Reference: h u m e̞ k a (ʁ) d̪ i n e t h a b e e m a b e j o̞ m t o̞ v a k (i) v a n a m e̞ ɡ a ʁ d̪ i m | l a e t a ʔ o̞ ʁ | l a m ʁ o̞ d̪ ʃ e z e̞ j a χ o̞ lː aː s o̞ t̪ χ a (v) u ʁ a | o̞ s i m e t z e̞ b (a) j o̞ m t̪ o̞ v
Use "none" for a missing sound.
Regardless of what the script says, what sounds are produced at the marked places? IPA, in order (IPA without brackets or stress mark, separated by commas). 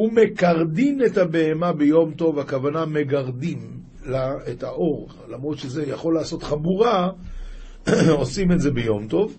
ʁ, a, b, e